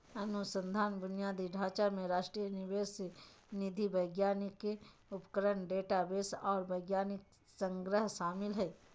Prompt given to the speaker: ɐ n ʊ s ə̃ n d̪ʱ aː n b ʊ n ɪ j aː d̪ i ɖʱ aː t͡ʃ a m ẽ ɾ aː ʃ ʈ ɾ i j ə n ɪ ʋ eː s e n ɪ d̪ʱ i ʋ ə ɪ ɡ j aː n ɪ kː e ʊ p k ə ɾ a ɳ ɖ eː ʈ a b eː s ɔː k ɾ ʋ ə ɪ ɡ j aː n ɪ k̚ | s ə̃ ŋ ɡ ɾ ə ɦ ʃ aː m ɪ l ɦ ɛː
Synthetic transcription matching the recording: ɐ n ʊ s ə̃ n d̪ʱ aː n b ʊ n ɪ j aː d̪ i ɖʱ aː t͡ʃ a m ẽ ɾ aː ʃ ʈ ɾ i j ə n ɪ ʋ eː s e n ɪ d̪ʱ i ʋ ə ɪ ɡ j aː n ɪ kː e ʊ p k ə ɾ ə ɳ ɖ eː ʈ a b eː s ɔː ɾ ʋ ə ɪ ɡ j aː n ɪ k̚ | s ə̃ ŋ ɡ ɾ ə ɦ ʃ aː m ɪ l ɦ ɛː